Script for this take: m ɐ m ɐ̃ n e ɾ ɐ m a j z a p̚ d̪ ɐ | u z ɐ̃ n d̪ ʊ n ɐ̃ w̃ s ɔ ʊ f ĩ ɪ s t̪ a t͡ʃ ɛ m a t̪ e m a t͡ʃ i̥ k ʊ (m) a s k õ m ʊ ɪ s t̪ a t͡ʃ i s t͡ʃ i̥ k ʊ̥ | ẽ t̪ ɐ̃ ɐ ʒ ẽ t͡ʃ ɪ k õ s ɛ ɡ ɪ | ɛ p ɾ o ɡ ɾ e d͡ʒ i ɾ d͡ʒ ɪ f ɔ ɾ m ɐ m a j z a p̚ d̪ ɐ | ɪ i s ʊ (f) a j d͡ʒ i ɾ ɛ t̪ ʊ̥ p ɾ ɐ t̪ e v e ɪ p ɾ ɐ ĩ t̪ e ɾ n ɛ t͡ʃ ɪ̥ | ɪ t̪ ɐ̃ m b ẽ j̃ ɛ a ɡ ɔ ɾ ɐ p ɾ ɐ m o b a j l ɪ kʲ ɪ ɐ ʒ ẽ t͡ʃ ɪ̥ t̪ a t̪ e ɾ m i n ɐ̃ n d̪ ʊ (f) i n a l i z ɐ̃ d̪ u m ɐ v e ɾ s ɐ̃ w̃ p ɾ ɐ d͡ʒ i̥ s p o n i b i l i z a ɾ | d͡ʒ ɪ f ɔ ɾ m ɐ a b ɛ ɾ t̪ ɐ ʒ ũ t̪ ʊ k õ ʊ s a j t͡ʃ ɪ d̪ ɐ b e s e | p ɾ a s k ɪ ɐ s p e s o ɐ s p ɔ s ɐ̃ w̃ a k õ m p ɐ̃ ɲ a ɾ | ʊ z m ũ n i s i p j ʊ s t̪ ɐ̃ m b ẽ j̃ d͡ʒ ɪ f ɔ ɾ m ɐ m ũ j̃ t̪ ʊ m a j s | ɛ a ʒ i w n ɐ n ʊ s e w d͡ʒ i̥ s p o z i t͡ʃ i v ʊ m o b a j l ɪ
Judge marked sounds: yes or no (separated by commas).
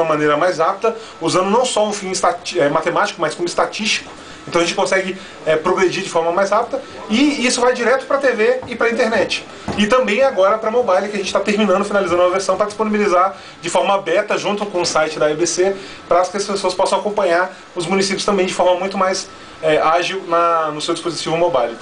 yes, no, yes